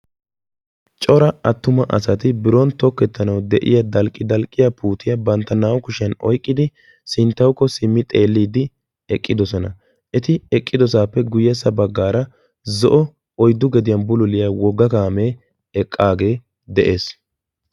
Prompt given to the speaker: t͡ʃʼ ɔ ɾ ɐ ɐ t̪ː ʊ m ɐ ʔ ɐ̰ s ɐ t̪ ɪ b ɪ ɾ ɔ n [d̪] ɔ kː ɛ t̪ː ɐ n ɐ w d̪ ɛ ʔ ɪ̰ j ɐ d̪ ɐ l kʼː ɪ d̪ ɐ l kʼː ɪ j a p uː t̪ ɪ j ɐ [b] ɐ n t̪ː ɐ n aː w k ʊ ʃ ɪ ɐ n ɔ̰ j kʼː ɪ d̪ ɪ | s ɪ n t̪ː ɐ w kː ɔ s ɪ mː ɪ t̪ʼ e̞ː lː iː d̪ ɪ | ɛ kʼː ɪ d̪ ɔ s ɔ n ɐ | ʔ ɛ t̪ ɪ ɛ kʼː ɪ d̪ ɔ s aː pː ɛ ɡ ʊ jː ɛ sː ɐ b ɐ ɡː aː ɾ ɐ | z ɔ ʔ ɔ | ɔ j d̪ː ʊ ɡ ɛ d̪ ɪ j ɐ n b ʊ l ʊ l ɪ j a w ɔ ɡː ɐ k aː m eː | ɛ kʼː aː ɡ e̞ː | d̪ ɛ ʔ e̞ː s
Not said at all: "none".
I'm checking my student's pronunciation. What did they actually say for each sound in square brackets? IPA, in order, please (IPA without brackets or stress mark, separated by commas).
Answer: t̪, b